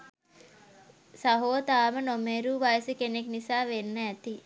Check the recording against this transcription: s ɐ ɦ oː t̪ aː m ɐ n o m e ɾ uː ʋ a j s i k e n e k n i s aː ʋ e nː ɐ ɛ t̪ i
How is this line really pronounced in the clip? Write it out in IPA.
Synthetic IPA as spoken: s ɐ ɦ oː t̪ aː m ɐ n o m e ɾ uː ʋ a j s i k e n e k n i s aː ʋ e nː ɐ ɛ t̪ i

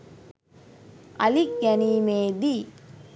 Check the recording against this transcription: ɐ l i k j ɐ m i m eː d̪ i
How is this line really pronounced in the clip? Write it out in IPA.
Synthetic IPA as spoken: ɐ l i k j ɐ n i m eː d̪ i

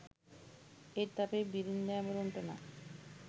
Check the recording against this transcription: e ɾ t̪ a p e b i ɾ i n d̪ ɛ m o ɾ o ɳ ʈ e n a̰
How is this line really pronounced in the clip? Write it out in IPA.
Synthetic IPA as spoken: e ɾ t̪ a p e b i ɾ i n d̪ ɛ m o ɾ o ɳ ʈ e n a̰

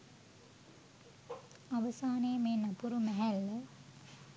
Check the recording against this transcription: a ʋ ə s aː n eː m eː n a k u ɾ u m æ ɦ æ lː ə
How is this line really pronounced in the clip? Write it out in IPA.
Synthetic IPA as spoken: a ʋ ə s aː n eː m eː n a p u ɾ u m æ ɦ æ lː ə

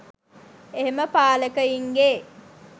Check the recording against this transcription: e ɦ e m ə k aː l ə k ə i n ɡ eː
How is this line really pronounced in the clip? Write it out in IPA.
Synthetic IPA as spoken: e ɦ e m ə p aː l ə k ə i ŋ ɡ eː

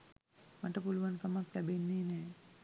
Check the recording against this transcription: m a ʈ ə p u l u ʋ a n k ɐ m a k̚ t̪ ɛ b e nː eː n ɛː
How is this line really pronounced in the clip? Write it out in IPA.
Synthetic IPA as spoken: m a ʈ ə p u l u ʋ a n k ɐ m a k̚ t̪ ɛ b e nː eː n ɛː

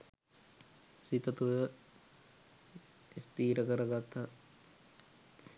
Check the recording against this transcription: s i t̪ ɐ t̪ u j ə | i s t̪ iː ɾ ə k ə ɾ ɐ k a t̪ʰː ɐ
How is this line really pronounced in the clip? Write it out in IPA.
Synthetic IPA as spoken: s i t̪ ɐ t̪ u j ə | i s t̪ iː ɾ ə k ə ɾ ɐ ɡ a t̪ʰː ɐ

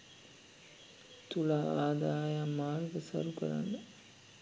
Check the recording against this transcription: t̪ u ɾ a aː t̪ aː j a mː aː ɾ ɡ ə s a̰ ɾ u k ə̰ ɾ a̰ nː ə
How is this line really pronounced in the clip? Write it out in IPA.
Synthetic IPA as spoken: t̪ u l a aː d̪ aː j a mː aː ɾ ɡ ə s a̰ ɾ u k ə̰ ɾ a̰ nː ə

